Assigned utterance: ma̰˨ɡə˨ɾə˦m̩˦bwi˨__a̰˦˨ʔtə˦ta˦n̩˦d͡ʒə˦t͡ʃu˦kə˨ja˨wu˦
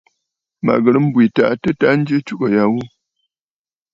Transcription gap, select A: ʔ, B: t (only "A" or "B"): B